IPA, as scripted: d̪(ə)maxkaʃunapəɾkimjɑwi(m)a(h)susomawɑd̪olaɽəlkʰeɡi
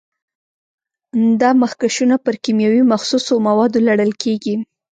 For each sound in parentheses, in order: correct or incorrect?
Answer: incorrect, correct, incorrect

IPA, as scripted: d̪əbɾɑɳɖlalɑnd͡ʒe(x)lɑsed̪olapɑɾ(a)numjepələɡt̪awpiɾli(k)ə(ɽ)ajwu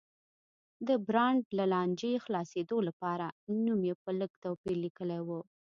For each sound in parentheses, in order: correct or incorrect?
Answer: correct, correct, correct, incorrect

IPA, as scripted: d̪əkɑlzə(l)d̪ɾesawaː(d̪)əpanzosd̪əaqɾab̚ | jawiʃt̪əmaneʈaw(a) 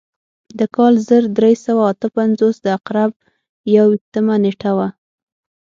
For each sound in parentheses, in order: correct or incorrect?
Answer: incorrect, incorrect, correct

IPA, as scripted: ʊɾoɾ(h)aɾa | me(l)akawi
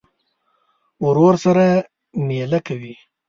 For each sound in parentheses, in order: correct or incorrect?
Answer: incorrect, correct

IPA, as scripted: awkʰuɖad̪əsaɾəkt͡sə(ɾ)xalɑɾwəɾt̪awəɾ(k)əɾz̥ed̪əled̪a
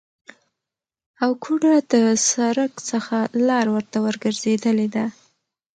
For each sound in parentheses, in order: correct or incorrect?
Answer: incorrect, incorrect

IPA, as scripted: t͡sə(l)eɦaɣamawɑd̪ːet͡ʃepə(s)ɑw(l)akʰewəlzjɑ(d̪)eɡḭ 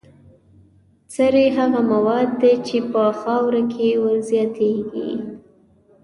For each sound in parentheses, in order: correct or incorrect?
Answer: incorrect, incorrect, incorrect, incorrect

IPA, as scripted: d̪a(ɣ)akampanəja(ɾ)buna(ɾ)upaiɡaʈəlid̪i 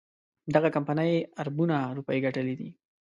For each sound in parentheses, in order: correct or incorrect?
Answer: correct, correct, correct

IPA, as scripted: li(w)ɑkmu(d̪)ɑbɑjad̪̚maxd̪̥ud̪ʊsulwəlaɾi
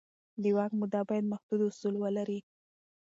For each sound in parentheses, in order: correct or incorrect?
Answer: correct, correct

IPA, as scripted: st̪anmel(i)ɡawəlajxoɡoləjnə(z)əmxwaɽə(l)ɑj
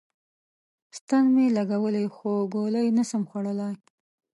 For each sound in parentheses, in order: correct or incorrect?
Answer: incorrect, incorrect, correct

